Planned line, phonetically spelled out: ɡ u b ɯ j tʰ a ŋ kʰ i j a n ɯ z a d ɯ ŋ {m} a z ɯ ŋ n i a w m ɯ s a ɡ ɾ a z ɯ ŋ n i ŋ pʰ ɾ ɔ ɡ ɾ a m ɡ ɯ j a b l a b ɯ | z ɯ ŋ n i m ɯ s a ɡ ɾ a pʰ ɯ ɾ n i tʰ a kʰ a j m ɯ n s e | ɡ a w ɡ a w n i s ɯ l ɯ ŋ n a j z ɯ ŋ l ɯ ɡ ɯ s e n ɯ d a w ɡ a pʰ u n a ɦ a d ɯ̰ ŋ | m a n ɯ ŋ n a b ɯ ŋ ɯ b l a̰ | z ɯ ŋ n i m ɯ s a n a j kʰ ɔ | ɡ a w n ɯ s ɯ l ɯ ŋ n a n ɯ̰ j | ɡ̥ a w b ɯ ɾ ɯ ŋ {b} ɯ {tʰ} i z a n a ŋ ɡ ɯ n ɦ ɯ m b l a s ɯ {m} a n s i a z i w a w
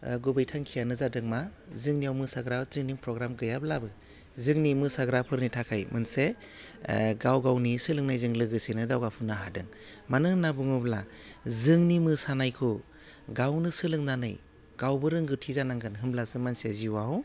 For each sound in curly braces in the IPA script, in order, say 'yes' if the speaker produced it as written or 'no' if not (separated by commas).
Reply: yes, no, yes, yes